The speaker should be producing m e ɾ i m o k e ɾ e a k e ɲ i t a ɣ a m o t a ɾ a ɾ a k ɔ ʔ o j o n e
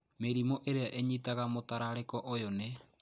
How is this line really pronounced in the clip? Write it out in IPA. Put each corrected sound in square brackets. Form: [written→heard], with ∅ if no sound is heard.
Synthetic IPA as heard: m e ɾ i m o [k→ʔ] e ɾ e a [k→ʔ] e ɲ i t a ɣ a m o t a ɾ a ɾ [a→e] k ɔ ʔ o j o n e